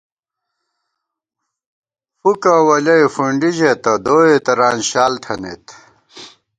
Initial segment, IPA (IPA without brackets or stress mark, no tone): f